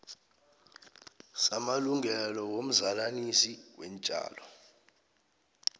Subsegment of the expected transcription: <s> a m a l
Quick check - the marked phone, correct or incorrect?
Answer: correct